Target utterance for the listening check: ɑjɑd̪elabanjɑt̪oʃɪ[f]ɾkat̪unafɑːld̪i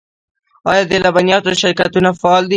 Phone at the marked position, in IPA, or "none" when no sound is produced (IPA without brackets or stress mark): none